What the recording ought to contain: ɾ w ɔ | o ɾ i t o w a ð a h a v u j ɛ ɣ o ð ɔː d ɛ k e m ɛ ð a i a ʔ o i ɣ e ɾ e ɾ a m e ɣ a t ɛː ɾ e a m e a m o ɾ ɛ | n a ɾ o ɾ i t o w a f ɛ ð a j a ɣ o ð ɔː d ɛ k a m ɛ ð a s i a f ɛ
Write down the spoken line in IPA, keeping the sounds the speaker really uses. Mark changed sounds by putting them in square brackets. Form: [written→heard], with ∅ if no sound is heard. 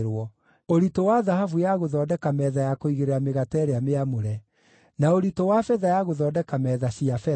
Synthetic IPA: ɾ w ɔ | o ɾ i t o w a ð a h a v u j [ɛ→a] ɣ o ð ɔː d ɛ k [e→a] m ɛ ð a [i→j] a [ʔ→k] o i ɣ e ɾ e ɾ a m e ɣ a t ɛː ɾ e a m e a m o ɾ ɛ | n a [ɾ→∅] o ɾ i t o w a f ɛ ð a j a ɣ o ð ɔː d ɛ k a m ɛ ð a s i a f ɛ